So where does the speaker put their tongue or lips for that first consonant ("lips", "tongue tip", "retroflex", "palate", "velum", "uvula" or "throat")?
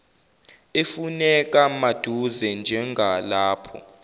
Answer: lips